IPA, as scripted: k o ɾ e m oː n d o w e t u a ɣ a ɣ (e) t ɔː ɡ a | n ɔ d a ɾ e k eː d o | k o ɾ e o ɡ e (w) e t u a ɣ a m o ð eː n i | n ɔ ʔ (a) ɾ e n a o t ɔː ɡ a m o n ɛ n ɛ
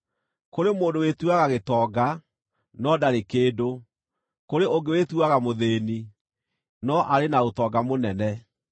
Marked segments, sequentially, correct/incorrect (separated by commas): correct, correct, correct